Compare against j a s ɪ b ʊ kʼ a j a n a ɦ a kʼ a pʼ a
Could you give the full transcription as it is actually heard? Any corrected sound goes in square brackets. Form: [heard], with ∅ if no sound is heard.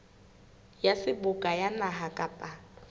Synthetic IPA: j a s ɪ b ʊ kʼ a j a n a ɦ a kʼ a pʼ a

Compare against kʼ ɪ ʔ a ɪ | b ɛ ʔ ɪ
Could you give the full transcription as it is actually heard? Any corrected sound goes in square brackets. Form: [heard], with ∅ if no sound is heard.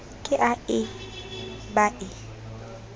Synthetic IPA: kʼ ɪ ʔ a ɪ | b [a] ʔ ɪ

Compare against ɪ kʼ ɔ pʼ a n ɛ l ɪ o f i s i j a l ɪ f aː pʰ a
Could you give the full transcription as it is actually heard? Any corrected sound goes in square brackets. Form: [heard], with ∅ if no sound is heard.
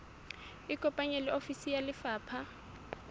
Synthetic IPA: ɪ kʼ ɔ pʼ a [ɲ] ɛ l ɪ o f i s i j a l ɪ f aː pʰ a

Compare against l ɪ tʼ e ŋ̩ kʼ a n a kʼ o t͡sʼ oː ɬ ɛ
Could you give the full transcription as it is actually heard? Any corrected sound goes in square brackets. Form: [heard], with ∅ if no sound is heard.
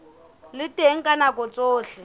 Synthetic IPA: l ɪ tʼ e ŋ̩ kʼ a n a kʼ [ɔ] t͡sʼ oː ɬ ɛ

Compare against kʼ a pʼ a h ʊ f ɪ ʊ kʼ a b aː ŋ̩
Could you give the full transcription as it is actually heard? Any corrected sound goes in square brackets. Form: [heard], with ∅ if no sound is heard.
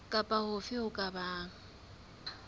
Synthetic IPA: kʼ a pʼ a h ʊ f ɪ ʊ kʼ a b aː ŋ̩

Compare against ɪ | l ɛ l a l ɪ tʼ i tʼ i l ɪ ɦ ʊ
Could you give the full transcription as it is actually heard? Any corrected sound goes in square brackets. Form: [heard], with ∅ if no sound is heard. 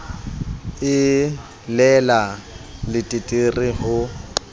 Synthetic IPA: ɪ | l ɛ l a l ɪ tʼ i tʼ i [r] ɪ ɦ ʊ

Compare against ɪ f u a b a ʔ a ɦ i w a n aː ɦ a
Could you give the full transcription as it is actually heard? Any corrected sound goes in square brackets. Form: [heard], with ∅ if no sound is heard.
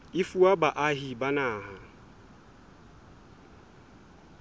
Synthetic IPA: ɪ f u a b a ʔ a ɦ i [b] a n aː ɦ a

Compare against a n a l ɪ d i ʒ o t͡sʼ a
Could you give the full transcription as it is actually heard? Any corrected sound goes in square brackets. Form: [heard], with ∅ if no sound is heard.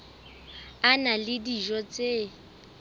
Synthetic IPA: a n a l ɪ d i ʒ [ɔ] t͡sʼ [e]

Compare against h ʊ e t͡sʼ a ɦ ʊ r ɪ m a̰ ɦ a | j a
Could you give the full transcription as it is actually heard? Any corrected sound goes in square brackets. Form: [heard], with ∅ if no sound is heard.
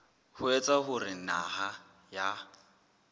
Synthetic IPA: h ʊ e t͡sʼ a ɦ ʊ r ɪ [n] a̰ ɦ a | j a

